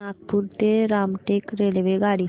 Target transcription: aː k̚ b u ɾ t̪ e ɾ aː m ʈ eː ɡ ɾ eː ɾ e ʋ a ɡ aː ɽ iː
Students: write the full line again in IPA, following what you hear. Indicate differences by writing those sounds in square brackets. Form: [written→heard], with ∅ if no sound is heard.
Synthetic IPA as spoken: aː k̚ [b→p] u ɾ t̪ e ɾ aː m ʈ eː [ɡ→k] ɾ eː [ɾ→l] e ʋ [a→e] ɡ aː ɽ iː